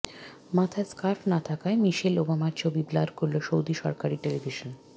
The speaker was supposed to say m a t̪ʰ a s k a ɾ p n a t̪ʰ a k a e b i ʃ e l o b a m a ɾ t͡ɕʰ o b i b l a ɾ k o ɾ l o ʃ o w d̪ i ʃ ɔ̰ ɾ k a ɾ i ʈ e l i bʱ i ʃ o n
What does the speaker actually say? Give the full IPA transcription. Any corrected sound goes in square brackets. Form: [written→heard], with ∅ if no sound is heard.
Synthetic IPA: m a t̪ʰ a s k a ɾ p n a t̪ʰ a k a e [b→m] i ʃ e l o b a m a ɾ t͡ɕʰ o b i b l a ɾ k o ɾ l o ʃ o w d̪ i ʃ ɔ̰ ɾ k a ɾ i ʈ e l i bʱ i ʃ o n